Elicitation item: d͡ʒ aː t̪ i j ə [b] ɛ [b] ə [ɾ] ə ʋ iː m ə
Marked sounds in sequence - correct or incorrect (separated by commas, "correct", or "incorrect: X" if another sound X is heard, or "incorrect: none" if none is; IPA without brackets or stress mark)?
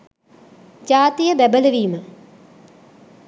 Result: correct, correct, incorrect: l